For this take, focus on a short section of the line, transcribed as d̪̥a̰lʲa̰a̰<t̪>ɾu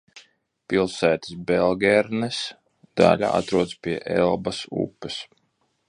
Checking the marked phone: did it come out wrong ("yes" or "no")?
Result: no